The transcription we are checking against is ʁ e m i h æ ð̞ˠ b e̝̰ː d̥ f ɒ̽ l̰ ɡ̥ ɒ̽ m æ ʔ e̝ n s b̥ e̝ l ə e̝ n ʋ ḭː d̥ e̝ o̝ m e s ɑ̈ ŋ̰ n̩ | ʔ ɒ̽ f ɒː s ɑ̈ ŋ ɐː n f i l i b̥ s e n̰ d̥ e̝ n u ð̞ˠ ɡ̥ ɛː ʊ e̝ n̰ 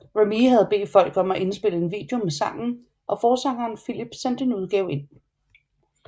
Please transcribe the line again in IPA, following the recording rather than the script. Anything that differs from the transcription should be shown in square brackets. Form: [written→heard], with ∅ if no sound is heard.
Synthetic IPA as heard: ʁ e m i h æ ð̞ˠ b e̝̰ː d̥ f ɒ̽ l̰ ɡ̥ ɒ̽ m æ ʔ e̝ n s b̥ e̝ l ə e̝ n ʋ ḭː d̥ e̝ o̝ m e s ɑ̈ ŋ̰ n̩ | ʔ ɒ̽ f ɒː s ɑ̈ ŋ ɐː n f i l i b̥ s e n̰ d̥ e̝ n u ð̞ˠ ɡ̥ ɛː ʊ e̝ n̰